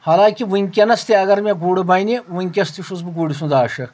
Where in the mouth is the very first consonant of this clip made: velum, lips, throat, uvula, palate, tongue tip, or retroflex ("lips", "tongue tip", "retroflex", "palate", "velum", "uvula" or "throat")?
throat